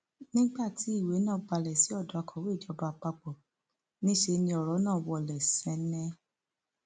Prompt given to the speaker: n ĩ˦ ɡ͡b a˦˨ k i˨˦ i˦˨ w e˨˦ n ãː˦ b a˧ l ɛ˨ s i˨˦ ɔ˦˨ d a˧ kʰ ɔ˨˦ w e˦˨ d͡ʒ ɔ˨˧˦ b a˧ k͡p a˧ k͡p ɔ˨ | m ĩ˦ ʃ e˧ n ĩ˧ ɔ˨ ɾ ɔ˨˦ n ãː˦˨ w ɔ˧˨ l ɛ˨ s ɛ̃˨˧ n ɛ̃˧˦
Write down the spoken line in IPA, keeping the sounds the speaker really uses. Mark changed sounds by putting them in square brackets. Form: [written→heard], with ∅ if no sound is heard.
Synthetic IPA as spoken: n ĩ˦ ɡ͡b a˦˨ [k→t] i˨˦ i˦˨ w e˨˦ n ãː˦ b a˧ l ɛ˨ s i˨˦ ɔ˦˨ d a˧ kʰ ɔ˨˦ w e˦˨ d͡ʒ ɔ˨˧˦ b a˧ k͡p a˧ k͡p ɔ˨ | [m→n] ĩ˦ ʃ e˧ n ĩ˧ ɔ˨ ɾ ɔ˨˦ n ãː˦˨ w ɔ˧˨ l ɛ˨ s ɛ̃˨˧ n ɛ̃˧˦

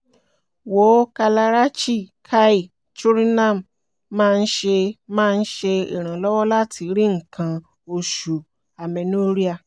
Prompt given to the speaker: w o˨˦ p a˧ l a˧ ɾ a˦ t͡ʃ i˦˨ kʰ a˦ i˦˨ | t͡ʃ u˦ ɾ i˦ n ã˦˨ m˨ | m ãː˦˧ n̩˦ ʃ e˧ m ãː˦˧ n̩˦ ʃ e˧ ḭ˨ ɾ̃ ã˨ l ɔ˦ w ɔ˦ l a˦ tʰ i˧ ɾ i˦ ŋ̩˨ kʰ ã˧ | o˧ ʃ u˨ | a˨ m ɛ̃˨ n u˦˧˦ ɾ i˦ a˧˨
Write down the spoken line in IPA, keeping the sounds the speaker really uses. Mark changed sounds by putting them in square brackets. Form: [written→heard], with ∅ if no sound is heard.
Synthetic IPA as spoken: w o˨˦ [p→k] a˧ l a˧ ɾ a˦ t͡ʃ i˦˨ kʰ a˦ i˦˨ | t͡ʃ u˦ ɾ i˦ n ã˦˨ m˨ | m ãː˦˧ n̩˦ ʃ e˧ m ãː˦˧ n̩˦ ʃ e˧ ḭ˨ ɾ̃ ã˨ l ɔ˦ w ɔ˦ l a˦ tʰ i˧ ɾ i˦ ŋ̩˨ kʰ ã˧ | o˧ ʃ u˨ | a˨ m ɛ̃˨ n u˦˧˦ ɾ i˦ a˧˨

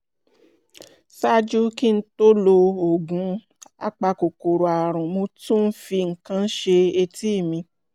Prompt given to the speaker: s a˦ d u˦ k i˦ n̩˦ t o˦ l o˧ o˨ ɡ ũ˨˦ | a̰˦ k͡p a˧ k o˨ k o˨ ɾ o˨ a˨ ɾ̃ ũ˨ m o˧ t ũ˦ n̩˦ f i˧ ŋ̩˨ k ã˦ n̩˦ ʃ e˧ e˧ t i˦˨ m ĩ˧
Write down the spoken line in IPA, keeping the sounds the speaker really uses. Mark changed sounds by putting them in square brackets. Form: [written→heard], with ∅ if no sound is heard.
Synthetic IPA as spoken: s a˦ [d→d͡ʒ] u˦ k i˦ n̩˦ t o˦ l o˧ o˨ ɡ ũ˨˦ | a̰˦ k͡p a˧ k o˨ k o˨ ɾ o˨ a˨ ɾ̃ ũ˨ m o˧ t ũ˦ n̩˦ f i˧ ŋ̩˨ k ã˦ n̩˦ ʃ e˧ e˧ t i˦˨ m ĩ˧

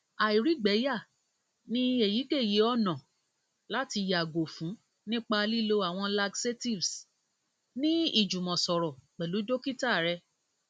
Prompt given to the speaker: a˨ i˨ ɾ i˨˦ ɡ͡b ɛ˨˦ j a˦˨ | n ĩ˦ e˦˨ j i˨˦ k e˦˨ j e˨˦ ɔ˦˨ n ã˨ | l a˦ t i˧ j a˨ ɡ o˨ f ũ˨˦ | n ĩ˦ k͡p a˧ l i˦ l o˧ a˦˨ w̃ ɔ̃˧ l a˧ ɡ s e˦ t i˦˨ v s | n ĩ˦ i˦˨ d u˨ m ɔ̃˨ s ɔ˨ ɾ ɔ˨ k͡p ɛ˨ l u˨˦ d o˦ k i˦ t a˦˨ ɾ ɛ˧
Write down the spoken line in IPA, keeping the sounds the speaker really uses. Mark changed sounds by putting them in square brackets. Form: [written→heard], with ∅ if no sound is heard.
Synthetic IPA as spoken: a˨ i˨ ɾ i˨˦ ɡ͡b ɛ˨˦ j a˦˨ | n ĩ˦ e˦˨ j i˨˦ k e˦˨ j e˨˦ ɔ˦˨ n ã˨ | l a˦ t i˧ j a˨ ɡ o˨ f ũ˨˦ | n ĩ˦ k͡p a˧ l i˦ l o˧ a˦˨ w̃ ɔ̃˧ l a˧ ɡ s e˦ t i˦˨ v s | n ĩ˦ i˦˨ [d→d͡ʒ] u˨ m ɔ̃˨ s ɔ˨ ɾ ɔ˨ k͡p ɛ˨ l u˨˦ d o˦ k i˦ t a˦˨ ɾ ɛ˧

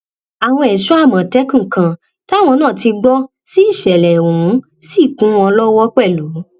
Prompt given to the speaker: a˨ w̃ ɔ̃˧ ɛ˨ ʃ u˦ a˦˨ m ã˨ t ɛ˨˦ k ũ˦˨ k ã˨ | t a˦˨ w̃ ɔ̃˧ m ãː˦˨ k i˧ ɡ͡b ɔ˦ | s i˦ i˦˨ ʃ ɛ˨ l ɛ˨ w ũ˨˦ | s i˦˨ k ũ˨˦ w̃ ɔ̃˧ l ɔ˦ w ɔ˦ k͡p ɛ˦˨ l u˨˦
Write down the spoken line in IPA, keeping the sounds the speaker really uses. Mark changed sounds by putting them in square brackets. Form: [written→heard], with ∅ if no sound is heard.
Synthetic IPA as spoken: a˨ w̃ ɔ̃˧ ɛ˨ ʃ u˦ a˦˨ m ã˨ t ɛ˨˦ k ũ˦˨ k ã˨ | t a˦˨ w̃ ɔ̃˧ [m→n] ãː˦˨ [k→t] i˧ ɡ͡b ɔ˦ | s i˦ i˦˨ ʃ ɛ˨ l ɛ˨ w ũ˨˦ | s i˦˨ k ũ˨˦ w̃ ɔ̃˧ l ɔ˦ w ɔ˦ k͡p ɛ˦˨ l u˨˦

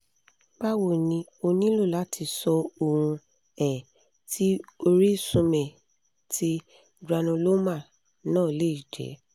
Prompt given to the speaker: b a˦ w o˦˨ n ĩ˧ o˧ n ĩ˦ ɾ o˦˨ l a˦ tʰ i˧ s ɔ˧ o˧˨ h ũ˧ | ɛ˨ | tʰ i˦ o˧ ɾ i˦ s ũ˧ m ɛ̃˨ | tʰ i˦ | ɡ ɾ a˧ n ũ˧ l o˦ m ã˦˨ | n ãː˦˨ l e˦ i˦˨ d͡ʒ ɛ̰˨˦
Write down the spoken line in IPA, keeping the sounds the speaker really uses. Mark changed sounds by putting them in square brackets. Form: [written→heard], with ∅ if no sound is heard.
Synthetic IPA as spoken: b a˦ w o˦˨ n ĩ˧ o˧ n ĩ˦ [ɾ→l] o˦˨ l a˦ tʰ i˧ s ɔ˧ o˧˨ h ũ˧ | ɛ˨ | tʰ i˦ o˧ ɾ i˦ s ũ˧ m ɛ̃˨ | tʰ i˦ | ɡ ɾ a˧ n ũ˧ l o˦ m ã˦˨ | n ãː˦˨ l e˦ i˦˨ d͡ʒ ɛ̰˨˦

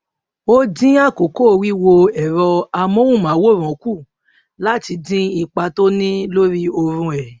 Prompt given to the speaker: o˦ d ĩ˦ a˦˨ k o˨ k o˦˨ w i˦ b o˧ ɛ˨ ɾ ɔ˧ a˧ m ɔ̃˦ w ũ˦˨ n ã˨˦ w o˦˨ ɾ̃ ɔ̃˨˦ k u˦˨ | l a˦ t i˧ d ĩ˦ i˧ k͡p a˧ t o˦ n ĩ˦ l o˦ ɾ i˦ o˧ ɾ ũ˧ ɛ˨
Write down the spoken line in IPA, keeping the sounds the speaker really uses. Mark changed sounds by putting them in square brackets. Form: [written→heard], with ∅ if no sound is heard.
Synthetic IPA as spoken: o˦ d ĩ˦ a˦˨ k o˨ k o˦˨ w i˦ [b→w] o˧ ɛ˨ ɾ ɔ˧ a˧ m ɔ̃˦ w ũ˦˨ [n→m] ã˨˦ w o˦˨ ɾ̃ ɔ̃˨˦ k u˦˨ | l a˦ t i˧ d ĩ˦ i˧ k͡p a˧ t o˦ n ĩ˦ l o˦ ɾ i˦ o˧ ɾ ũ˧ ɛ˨

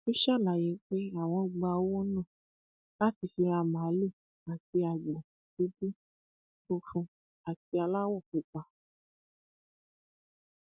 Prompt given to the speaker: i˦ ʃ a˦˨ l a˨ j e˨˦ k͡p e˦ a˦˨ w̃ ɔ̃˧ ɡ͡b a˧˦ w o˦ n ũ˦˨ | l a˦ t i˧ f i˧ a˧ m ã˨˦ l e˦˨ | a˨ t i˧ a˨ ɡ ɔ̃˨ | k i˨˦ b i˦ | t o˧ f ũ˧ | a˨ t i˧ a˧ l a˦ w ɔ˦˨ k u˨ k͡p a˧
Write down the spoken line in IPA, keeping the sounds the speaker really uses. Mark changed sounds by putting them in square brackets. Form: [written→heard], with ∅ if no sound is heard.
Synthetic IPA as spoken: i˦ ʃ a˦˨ l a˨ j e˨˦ k͡p e˦ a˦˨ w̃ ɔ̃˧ ɡ͡b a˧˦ w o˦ n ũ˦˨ | l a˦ t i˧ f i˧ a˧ m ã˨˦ l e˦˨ | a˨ t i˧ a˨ [ɡ→ɡ͡b] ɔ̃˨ | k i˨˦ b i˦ | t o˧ f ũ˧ | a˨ t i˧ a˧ l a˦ w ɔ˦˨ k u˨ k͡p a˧

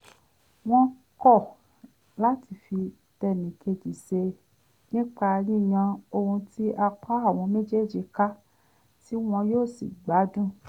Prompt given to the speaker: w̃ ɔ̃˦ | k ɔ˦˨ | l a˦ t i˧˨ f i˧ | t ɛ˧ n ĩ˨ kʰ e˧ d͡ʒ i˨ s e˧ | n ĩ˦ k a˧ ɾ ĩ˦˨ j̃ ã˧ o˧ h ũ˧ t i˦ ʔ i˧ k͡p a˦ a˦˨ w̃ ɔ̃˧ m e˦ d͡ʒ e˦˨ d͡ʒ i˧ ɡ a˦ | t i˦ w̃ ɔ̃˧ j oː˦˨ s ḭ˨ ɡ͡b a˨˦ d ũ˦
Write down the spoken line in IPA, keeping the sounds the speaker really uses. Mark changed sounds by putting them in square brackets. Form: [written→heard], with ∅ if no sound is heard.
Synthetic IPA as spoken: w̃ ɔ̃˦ | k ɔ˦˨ | l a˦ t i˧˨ f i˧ | t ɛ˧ n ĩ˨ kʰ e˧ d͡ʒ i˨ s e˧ | n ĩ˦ [k→k͡p] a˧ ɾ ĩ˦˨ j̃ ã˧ o˧ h ũ˧ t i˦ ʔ [i˧→a˧] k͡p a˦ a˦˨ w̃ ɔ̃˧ m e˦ d͡ʒ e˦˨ d͡ʒ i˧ [ɡ→k] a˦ | t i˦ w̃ ɔ̃˧ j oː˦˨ s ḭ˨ ɡ͡b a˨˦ d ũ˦

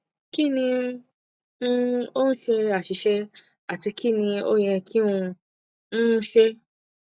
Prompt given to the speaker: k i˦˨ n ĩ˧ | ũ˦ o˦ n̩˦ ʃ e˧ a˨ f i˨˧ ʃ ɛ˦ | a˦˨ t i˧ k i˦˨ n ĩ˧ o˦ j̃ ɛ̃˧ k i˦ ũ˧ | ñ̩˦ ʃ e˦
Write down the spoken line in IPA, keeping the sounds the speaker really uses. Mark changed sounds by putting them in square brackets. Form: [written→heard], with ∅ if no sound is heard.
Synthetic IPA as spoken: k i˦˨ n ĩ˧ | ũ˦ o˦ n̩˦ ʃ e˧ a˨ [f→ʃ] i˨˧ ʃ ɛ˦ | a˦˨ t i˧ k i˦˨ n ĩ˧ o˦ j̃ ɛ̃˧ k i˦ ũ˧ | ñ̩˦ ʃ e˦

